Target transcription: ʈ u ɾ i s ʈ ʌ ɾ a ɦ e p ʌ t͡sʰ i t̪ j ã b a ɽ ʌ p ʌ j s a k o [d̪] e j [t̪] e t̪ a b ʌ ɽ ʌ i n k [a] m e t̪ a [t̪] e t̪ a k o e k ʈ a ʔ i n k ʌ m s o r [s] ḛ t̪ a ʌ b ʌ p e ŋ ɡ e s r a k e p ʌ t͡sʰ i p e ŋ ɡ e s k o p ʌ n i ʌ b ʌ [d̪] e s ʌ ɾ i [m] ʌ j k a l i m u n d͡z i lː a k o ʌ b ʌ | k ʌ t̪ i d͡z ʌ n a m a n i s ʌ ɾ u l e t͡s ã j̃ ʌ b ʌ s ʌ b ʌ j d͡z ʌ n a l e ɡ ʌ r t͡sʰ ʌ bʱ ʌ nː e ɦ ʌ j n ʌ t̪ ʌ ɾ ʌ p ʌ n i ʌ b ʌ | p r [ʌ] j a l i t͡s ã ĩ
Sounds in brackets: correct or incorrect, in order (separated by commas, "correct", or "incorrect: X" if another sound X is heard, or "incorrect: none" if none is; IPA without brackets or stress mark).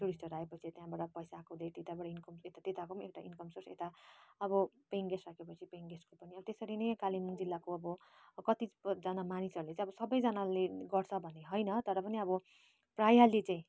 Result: correct, correct, incorrect: ʌ, correct, correct, incorrect: t̪, incorrect: n, incorrect: a